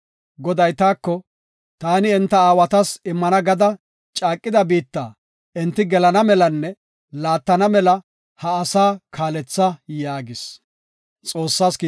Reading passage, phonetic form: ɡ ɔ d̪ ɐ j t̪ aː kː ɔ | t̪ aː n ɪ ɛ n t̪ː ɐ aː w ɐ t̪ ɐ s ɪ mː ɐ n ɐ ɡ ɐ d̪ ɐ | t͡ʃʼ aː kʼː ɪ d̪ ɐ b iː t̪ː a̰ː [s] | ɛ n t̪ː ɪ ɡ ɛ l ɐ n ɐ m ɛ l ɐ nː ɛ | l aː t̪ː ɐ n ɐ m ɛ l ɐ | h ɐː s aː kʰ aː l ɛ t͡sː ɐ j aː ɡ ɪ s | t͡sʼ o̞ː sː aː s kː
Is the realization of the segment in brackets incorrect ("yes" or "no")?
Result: yes